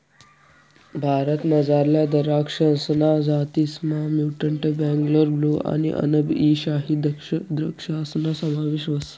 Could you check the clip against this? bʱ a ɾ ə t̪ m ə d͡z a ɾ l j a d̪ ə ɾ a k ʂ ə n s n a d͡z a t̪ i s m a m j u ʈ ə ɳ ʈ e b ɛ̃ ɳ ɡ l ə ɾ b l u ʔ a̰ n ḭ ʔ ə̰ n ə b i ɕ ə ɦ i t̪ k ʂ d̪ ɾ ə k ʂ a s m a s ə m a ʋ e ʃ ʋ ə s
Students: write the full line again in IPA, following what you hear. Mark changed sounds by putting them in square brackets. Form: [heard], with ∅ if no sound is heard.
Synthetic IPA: bʱ a ɾ ə t̪ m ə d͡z a ɾ l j a d̪ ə ɾ a k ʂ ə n s n a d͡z a t̪ i s m a m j u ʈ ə ɳ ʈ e b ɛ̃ [ŋ] ɡ l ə ɾ b l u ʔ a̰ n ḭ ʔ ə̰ n ə b i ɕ [a] ɦ i [d̪] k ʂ d̪ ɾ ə k ʂ a s [n] a s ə m a ʋ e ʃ ʋ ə s